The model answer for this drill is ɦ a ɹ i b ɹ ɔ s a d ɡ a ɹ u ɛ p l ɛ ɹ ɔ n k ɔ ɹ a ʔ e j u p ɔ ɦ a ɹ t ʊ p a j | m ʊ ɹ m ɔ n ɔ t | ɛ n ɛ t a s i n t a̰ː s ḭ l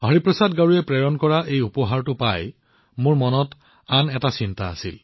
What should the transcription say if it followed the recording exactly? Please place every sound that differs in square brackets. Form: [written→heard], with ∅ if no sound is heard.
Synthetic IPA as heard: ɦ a ɹ i [b→p] ɹ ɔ s a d ɡ a ɹ u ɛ p [l→ɹ] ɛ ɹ ɔ n k ɔ ɹ a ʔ e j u p ɔ ɦ a ɹ t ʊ p a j | m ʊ ɹ m ɔ n ɔ t | [ɛ→a] n ɛ t a s i n t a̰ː s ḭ l